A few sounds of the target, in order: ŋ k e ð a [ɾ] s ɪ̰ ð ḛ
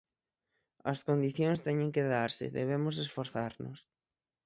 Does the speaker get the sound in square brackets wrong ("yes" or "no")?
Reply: no